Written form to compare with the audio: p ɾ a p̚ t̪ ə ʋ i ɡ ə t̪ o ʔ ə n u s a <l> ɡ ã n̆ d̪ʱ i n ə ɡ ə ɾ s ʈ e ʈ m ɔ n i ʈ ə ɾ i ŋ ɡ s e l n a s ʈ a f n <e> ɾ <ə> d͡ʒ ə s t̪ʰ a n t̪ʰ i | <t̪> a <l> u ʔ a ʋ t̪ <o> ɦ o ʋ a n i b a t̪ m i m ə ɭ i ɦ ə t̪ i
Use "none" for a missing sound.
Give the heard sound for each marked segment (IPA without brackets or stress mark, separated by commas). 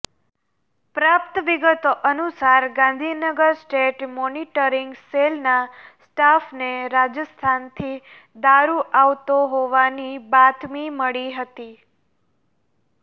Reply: ɾ, e, a, d̪, ɾ, o